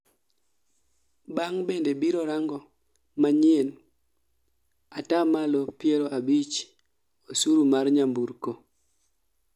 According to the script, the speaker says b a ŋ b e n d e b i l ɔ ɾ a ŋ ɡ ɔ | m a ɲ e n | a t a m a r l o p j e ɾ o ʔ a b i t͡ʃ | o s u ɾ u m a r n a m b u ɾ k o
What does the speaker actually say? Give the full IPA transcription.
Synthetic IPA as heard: b a ŋ b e n d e b i ɾ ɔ ɾ a ŋ ɡ ɔ | m a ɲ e n | a t a m a l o p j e ɾ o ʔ a b i t͡ʃ | o s u ɾ u m a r ɲ a m b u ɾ k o

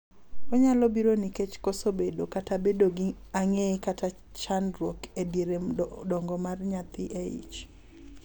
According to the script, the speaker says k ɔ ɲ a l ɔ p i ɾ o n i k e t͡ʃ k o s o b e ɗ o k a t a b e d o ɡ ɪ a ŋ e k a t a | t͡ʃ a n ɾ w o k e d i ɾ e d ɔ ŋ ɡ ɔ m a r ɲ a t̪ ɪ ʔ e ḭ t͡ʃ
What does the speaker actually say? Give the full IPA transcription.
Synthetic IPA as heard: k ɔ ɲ a l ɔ b i ɾ o n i k e t͡ʃ k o s o b e d o k a t a b e d o ɡ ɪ a ŋ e k a t a | t͡ʃ a n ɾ w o k e d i ɾ e d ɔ ŋ ɡ ɔ m a r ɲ a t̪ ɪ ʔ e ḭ t͡ʃ

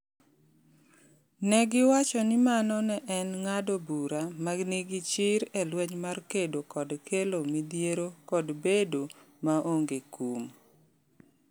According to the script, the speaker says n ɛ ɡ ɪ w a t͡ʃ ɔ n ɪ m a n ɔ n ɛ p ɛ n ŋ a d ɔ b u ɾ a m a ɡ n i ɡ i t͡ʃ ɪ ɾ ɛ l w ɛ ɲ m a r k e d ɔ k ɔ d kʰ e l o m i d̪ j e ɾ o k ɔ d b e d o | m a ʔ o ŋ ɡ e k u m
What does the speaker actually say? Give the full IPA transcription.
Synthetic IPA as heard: n ɛ ɡ ɪ w a t͡ʃ ɔ n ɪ m a n ɔ n ɛ ʔ ɛ n ŋ a d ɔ b u ɾ a m a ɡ n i ɡ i t͡ʃ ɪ ɾ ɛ l w ɛ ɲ m a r k e d o k ɔ d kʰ e l o m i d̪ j e ɾ o k ɔ d b e d o | m a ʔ o ŋ ɡ e k u m

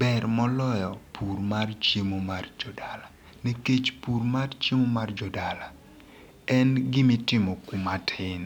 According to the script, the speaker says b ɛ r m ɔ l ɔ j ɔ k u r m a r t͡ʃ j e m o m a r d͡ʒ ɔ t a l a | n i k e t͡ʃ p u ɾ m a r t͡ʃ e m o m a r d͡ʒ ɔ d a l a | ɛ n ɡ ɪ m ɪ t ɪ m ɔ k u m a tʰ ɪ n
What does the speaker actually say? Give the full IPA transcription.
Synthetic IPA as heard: b ɛ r m ɔ l ɔ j ɔ p u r m a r t͡ʃ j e m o m a r d͡ʒ ɔ d a l a | n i k e t͡ʃ p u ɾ m a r t͡ʃ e m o m a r d͡ʒ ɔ d a l a | ɛ n ɡ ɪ m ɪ t ɪ m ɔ k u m a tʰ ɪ n

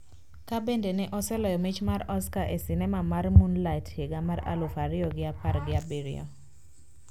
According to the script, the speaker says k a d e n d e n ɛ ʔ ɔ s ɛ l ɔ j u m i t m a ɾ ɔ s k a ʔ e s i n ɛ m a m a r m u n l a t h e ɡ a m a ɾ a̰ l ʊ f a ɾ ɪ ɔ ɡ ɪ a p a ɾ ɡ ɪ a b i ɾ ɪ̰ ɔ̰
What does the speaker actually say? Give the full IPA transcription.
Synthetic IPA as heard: k a b e n d e n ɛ ʔ ɔ s ɛ l ɔ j ɔ m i t͡ʃ m a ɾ ɔ s k a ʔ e s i n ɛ m a m a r m u n l a t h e ɡ a m a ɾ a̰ l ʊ f a ɾ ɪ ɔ ɡ ɪ a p a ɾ ɡ ɪ a b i ɾ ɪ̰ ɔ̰

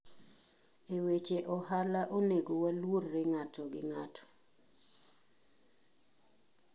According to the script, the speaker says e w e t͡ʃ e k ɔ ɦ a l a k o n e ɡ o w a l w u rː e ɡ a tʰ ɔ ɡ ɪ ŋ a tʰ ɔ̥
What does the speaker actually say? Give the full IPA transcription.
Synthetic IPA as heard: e w e t͡ʃ e ʔ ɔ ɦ a l a ʔ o n e ɡ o w a l w o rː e ŋ a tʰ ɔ ɡ ɪ ŋ a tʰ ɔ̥

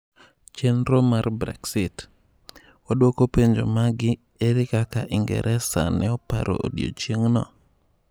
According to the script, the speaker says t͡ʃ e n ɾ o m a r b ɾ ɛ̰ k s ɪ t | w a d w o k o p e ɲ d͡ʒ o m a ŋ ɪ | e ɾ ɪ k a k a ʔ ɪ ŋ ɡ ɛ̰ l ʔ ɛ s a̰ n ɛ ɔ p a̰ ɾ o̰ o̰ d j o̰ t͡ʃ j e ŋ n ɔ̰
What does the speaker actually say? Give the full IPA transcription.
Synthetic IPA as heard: t͡ʃ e n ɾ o m a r b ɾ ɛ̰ k s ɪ t | w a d w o k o p e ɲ d͡ʒ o m a ɡ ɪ | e ɾ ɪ k a k a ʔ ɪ ŋ ɡ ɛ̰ ɾ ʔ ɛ s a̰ n ɛ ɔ p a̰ ɾ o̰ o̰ d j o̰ t͡ʃ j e ŋ n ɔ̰

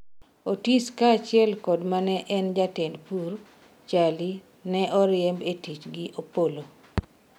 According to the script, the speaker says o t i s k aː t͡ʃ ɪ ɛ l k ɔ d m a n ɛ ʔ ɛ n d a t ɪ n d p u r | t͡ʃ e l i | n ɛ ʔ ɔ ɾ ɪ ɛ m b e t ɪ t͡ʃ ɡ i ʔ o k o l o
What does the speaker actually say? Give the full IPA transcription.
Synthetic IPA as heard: o t i s k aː t͡ʃ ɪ ɛ l k ɔ d m a n ɛ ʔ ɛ n d͡ʒ a t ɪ n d p u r | t͡ʃ a l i | n ɛ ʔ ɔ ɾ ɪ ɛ m b e t i t͡ʃ ɡ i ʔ o p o l o

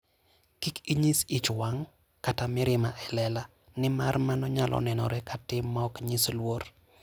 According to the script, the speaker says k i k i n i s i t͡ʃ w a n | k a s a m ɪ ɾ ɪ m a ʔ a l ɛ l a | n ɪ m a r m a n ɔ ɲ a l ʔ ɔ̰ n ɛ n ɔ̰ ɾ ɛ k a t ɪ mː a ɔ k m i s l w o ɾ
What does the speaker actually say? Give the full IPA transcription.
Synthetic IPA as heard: k i k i ɲ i s i t͡ʃ w a ŋ | k a t a m ɪ ɾ ɪ m a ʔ ɛ l ɛ l a | n ɪ m a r m a n ɔ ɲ a l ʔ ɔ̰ n ɛ n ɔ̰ ɾ ɛ k a t ɪ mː a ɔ k ɲ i s l w o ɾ

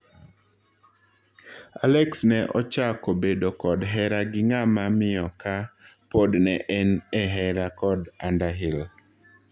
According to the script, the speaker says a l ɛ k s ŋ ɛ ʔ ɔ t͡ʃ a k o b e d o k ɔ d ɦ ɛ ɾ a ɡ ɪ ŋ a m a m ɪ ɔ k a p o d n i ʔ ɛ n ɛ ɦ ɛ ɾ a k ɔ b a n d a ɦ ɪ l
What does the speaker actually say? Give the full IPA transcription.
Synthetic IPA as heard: a l ɛ k s n ɛ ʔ ɔ t͡ʃ a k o b e d o k ɔ d ɦ ɛ ɾ a ɡ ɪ ŋ a m a m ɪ ɔ k a p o d n ɛ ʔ ɛ n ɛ ɦ ɛ ɾ a k ɔ d a n d a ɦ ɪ l

